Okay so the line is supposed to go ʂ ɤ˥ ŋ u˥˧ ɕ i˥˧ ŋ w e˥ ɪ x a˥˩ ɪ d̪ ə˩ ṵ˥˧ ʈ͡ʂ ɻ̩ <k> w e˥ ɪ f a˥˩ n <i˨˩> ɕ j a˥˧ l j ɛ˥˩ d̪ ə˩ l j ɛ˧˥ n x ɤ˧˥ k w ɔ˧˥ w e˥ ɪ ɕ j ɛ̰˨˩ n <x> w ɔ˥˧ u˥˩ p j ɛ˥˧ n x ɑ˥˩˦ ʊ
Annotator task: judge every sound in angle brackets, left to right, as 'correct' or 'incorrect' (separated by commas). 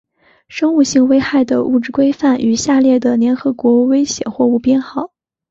correct, incorrect, correct